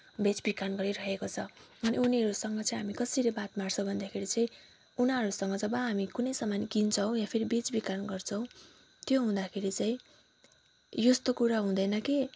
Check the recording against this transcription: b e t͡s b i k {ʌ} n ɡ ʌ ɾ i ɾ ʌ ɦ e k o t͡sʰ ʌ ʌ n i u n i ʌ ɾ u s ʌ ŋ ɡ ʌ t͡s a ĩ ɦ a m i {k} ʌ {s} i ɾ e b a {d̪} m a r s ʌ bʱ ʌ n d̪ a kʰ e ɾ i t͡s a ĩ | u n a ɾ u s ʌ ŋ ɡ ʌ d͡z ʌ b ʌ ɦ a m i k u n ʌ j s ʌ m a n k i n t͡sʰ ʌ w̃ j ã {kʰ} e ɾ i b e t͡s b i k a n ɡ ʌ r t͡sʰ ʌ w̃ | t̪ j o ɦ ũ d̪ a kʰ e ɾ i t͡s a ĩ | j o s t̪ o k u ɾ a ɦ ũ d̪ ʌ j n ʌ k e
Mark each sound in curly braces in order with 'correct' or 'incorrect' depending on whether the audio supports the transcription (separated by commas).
incorrect, correct, correct, incorrect, incorrect